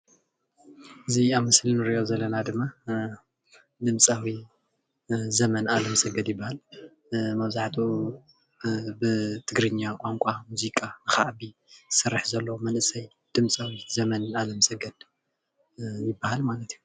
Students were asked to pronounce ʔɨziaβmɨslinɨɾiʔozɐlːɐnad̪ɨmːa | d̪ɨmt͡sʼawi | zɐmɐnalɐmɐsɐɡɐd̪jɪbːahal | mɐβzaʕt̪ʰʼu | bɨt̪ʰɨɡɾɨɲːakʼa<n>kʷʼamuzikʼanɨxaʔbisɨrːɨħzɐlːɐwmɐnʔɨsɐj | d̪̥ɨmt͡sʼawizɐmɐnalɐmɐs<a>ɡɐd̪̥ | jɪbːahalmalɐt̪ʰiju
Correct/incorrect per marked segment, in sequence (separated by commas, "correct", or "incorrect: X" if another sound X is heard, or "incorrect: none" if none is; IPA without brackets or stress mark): incorrect: ŋ, incorrect: ɐ